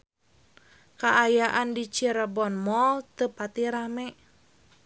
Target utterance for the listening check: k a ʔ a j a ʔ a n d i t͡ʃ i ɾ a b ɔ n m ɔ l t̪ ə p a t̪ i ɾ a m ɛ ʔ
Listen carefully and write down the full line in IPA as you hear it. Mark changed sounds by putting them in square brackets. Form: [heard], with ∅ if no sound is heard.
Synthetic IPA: k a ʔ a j a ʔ a n d i t͡ʃ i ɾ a b ɔ n m ɔ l t̪ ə p a t̪ i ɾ a m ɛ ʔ